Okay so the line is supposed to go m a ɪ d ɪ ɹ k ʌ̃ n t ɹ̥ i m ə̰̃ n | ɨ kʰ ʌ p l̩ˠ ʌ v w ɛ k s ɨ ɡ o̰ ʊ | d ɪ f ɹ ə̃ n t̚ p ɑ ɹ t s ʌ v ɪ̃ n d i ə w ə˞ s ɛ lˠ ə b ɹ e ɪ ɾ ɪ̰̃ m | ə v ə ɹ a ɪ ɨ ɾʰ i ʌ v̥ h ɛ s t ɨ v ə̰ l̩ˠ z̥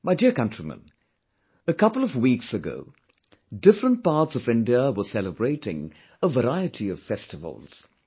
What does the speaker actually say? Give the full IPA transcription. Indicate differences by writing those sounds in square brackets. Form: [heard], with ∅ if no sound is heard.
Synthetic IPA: m a ɪ d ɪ ɹ k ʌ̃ n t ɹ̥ i m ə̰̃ n | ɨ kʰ ʌ p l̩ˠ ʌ v w [i] k s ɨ ɡ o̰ ʊ | d ɪ f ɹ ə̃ n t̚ p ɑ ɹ t s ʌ v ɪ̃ n d i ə w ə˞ s ɛ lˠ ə b ɹ e ɪ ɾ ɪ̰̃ [ŋ] | ə v ə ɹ a ɪ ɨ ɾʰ i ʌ v̥ [f] ɛ s t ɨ v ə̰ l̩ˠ z̥